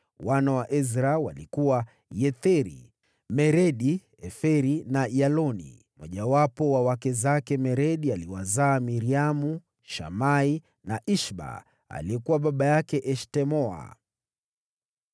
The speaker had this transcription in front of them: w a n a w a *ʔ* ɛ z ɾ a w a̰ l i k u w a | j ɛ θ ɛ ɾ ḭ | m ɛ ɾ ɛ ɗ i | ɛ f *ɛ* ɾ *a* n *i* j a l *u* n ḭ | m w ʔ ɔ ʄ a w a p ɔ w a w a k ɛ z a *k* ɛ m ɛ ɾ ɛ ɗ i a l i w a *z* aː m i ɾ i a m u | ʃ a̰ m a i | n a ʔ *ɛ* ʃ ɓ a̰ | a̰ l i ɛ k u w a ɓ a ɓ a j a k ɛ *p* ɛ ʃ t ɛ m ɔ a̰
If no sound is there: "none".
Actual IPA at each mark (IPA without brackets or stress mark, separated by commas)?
ʔ, ɛ, i, a, ɔ, k, z, i, ʔ